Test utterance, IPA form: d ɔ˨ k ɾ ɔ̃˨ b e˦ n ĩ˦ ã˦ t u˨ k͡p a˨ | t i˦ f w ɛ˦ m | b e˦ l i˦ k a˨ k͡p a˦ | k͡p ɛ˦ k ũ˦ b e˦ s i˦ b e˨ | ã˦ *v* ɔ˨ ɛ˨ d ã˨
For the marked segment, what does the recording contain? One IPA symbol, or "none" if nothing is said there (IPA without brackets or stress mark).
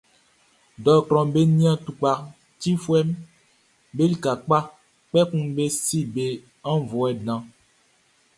v